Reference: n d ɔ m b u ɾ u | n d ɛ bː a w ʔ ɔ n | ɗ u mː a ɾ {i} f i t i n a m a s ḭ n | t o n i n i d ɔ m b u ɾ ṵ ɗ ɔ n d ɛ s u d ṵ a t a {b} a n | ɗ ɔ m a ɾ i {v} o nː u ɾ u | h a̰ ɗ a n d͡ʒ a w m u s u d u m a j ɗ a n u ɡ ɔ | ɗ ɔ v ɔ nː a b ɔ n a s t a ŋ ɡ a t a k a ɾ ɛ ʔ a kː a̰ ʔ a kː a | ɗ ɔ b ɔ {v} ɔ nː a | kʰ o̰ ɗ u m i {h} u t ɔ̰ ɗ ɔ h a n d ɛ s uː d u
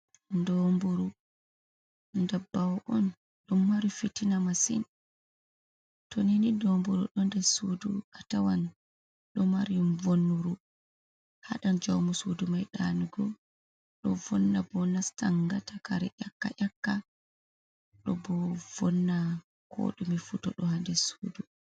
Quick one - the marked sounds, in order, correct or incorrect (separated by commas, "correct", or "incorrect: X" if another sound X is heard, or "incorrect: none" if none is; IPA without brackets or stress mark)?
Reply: correct, incorrect: w, correct, correct, incorrect: f